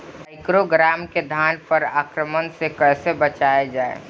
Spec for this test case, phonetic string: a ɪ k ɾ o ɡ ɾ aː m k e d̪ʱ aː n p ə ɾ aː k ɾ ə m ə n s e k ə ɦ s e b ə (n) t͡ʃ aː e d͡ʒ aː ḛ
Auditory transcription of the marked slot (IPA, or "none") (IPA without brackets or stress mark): none